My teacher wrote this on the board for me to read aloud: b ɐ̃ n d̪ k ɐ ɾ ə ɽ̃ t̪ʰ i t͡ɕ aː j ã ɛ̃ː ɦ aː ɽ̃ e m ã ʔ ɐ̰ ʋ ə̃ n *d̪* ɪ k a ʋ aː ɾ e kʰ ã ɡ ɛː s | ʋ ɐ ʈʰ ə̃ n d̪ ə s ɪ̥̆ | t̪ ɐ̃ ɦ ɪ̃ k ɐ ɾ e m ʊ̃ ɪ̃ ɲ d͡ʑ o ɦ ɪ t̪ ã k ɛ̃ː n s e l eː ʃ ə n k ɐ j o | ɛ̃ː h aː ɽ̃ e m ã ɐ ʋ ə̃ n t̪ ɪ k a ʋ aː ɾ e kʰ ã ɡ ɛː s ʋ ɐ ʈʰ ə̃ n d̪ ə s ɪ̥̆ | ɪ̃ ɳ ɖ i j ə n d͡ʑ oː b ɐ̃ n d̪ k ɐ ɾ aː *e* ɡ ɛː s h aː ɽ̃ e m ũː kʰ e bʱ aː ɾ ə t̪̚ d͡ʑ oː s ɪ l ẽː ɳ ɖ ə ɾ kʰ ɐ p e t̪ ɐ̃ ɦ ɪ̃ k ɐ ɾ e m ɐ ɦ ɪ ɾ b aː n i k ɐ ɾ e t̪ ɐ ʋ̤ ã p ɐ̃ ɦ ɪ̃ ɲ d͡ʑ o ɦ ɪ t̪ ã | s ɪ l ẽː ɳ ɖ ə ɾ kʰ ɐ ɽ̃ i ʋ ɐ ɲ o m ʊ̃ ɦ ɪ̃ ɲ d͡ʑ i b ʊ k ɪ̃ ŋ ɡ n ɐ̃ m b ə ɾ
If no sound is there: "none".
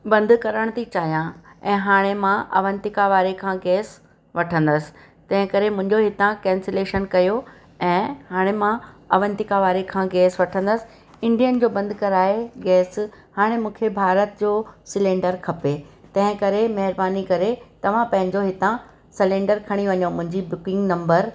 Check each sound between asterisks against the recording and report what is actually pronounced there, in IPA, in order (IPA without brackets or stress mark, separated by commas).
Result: t̪, e